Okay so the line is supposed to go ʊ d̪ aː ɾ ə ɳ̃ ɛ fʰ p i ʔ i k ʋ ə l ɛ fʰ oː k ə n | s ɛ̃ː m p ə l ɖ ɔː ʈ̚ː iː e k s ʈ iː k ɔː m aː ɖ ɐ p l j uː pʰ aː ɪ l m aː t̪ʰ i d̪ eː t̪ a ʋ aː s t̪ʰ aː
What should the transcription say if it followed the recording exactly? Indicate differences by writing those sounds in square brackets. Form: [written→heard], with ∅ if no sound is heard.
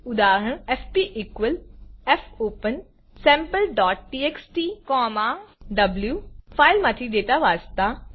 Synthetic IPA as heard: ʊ d̪ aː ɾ ə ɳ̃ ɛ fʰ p i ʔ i k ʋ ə l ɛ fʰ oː [k→p] ə n | s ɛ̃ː m p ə l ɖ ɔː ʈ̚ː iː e k s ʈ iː k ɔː m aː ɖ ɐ [p→b] l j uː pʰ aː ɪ l m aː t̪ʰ i d̪ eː t̪ a ʋ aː s [t̪ʰ→t̪] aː